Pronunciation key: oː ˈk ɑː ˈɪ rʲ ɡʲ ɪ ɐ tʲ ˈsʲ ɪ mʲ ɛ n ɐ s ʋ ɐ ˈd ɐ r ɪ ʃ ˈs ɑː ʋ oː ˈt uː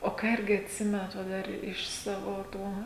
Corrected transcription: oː ˈk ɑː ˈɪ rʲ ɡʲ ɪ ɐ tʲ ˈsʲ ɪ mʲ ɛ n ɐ t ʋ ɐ ˈd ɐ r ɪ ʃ ˈs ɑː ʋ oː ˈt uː